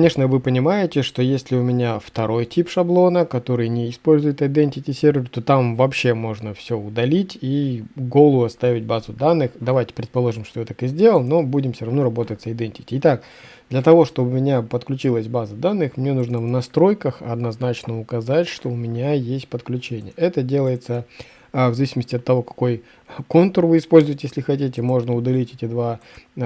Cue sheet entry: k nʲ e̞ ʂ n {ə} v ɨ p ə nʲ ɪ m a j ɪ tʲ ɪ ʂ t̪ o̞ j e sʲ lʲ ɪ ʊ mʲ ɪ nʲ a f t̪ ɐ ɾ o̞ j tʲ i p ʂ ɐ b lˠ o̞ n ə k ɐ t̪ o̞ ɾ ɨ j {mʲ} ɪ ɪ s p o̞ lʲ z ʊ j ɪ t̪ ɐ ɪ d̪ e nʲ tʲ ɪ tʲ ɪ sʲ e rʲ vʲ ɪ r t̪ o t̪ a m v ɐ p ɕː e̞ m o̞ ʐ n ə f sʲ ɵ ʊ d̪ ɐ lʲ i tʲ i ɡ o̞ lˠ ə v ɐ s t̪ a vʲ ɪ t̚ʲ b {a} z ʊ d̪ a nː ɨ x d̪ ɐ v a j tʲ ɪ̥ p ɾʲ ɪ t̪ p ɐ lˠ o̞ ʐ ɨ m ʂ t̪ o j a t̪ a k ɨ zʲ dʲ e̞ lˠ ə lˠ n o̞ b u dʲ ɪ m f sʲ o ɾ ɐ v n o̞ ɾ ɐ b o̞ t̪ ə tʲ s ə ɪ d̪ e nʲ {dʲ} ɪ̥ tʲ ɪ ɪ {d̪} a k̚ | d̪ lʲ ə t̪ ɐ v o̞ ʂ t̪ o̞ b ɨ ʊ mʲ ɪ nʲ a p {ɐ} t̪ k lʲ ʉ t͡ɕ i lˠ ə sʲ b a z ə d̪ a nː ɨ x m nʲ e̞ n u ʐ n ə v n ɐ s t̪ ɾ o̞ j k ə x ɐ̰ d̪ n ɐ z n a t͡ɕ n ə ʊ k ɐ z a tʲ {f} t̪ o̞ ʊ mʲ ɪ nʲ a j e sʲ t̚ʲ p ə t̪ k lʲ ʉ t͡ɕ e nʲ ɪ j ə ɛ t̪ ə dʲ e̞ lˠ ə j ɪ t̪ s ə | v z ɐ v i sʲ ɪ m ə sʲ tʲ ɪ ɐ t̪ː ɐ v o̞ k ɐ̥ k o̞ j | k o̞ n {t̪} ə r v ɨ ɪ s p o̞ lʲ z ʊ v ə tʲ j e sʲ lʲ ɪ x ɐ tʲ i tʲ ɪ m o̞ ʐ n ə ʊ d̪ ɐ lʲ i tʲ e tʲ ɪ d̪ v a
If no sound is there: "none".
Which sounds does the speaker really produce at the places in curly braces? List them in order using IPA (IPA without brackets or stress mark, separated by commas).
ə, nʲ, a, tʲ, t̪, ə, ʂ, t̪